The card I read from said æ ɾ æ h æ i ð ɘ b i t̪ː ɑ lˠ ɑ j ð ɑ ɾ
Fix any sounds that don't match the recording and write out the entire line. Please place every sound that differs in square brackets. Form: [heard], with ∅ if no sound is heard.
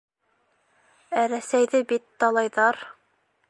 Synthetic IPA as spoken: æ ɾ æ [s] æ [j] ð ɘ b i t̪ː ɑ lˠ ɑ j ð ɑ ɾ